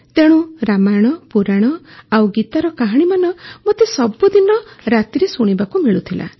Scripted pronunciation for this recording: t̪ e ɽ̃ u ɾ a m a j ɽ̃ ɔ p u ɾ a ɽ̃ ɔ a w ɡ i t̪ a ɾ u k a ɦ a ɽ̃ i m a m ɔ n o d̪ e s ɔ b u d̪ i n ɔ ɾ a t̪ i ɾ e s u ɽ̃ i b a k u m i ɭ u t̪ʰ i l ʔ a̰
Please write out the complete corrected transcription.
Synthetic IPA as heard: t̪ e ɽ̃ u ɾ a m a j ɽ̃ ɔ p u ɾ a ɽ̃ ɔ a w ɡ i t̪ a ɾ ɔ k a ɦ a ɽ̃ i m a n ɔ m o t̪ e s ɔ b u d̪ i n ɔ ɾ a t̪ i ɾ e s u ɽ̃ i b a k u m i ɭ u t̪ʰ i l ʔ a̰